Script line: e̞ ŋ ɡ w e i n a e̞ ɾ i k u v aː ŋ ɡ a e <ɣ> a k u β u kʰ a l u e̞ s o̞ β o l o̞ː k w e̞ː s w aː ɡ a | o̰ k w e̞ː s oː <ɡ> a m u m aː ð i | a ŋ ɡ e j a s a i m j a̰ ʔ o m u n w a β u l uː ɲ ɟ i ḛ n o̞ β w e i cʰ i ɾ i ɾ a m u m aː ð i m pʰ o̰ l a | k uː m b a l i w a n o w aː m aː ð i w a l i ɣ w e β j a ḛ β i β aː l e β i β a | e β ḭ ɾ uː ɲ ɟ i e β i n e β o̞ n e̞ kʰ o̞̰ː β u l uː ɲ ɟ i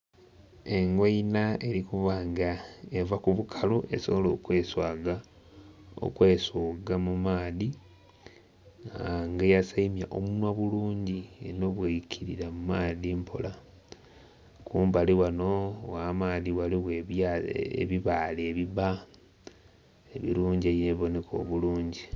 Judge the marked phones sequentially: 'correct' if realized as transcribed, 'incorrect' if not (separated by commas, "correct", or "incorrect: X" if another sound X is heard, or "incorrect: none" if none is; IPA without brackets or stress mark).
incorrect: v, correct